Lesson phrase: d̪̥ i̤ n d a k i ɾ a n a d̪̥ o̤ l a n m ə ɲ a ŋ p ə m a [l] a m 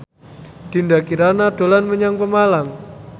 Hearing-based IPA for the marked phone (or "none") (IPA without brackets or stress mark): l